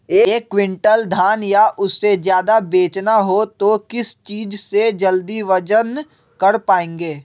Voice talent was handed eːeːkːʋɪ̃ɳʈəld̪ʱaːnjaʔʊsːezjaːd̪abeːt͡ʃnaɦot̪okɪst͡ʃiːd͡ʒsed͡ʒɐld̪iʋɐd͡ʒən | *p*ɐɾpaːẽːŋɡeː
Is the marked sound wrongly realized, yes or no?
yes